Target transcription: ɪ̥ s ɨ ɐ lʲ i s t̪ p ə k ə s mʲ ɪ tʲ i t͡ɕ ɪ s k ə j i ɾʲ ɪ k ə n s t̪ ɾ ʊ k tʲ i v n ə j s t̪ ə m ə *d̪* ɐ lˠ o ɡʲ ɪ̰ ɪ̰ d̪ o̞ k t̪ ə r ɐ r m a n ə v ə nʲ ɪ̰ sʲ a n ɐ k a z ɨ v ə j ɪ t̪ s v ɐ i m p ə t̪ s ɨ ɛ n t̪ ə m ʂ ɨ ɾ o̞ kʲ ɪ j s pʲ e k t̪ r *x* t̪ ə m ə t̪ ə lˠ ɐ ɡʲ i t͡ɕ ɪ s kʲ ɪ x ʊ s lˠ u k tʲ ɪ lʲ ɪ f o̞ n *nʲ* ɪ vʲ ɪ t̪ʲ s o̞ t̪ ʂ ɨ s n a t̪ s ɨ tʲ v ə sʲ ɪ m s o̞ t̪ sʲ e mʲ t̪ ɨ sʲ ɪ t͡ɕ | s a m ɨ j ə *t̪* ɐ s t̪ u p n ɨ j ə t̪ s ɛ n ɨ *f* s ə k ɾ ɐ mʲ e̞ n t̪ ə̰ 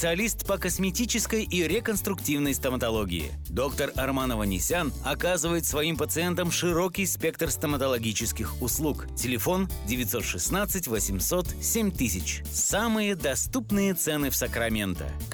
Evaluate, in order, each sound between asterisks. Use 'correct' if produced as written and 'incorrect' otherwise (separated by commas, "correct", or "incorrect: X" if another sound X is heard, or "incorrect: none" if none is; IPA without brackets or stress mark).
incorrect: t̪, incorrect: s, incorrect: dʲ, incorrect: d̪, correct